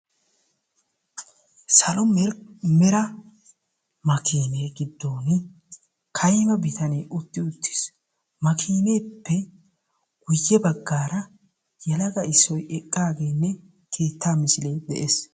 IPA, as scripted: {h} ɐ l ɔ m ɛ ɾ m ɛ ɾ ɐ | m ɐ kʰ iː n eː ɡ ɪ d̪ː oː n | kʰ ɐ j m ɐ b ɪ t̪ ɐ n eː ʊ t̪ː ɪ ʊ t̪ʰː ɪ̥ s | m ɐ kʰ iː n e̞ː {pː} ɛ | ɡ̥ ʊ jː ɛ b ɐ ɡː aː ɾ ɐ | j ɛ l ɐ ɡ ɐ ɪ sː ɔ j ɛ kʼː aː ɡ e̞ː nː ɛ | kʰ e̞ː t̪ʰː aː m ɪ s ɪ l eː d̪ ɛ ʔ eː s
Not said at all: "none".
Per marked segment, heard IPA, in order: s, pː

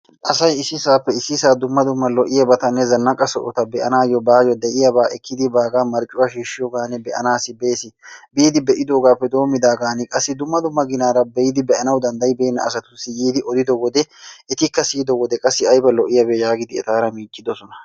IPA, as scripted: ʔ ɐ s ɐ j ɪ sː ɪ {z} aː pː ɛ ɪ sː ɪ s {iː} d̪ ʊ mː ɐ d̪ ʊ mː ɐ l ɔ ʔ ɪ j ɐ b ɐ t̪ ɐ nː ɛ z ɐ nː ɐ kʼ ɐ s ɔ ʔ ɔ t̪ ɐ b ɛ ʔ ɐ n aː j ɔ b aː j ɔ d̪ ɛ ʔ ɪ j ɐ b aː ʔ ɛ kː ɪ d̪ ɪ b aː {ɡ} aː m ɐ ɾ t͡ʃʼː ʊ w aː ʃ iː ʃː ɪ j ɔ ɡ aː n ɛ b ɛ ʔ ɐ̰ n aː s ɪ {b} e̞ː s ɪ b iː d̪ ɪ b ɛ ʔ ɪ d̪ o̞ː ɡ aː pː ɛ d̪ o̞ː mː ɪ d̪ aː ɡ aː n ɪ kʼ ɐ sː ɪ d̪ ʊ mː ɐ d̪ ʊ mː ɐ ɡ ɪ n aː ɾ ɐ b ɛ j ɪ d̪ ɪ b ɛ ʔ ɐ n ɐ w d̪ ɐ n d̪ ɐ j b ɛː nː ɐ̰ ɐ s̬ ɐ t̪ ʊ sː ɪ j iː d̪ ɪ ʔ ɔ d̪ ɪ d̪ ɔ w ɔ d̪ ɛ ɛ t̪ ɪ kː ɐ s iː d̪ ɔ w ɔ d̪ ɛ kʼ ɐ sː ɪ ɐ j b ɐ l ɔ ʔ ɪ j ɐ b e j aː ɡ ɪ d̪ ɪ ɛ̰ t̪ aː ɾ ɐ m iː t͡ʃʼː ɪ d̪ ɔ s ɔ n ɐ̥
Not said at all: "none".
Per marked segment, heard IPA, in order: s, aː, ɡ, b

